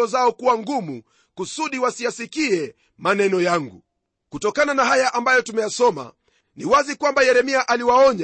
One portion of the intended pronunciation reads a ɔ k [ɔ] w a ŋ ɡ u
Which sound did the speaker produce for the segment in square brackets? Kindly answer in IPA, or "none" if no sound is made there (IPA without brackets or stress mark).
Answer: u